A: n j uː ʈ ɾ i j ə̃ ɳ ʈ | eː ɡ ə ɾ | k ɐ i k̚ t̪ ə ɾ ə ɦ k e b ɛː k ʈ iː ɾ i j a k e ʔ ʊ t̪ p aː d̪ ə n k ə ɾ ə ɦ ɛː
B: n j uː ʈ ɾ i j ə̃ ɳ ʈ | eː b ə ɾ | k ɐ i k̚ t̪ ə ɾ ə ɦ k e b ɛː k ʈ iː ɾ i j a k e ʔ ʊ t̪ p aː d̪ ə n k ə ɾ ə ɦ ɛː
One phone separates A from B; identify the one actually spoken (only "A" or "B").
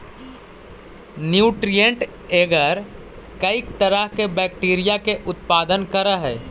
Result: A